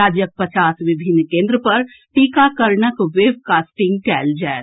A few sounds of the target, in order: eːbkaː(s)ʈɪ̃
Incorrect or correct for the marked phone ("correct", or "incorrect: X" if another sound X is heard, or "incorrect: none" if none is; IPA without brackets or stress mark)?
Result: correct